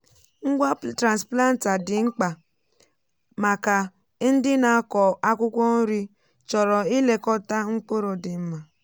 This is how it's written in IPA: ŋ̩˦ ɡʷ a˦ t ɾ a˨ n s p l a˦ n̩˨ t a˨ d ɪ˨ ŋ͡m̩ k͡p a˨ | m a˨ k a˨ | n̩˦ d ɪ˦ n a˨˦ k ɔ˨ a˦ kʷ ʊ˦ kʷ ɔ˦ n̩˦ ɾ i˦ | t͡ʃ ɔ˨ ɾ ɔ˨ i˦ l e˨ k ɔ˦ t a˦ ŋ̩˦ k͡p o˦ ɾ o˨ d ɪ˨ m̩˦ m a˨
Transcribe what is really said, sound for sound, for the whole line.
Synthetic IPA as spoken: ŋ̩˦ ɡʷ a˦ t ɾ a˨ n s p l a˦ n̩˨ t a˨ d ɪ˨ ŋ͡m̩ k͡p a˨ | m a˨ k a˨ | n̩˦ d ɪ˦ n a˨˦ k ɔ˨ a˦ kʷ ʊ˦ kʷ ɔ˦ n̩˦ ɾ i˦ | t͡ʃ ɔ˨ ɾ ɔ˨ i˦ l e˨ k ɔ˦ t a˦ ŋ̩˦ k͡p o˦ ɾ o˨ d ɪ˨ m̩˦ m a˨